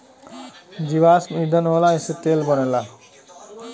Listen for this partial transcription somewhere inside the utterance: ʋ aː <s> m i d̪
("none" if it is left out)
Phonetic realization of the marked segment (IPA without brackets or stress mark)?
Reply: s